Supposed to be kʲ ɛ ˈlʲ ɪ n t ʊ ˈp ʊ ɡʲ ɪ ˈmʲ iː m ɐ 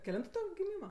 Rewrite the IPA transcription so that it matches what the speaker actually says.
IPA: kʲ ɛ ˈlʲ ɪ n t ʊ ˈt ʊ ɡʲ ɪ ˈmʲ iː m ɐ